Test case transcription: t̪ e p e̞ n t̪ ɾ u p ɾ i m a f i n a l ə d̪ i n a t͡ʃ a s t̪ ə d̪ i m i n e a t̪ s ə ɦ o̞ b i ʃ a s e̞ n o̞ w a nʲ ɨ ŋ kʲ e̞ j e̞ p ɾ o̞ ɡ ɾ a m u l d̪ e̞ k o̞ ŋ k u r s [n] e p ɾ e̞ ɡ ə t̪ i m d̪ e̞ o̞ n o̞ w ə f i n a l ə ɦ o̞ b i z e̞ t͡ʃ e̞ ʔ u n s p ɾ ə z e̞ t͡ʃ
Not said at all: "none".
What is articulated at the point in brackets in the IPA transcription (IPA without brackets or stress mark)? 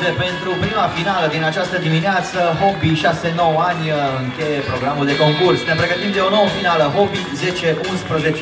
n